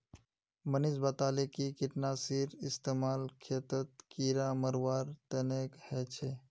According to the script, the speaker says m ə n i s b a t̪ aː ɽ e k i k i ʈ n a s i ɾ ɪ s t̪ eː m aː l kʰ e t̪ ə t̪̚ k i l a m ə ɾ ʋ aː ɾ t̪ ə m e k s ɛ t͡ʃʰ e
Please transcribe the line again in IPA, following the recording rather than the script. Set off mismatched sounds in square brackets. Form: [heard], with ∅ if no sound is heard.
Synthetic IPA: m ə n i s b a t̪ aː [l] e k i k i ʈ n a s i ɾ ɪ s t̪ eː m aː l kʰ e t̪ ə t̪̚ k i [ɾ] a m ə ɾ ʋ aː ɾ t̪ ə [n] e k [h] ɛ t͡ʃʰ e